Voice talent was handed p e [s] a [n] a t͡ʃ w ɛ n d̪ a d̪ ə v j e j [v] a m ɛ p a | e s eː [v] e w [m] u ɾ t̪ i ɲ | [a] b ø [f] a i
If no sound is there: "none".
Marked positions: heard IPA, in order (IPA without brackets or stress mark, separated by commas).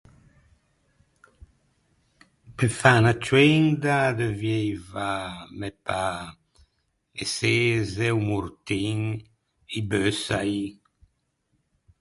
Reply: f, n, v, z, m, i, s